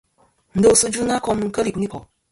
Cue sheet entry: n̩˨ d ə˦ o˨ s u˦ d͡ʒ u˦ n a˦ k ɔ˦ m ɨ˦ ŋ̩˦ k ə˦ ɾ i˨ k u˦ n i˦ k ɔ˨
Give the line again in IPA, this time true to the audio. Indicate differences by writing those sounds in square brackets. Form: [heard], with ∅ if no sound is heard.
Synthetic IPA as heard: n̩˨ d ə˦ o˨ s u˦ d͡ʒ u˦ n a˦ k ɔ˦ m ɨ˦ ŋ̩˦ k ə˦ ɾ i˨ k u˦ n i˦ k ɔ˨